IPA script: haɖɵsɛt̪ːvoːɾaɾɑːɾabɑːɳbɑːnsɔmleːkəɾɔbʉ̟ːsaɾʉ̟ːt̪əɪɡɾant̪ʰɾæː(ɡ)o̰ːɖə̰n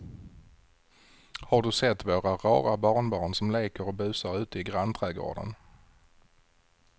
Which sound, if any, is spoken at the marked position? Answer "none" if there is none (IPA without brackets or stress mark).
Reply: ɡ